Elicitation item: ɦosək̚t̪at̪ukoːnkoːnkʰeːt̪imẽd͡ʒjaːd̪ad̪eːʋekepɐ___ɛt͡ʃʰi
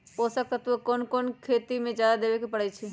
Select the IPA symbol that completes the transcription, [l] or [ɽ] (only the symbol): ɽ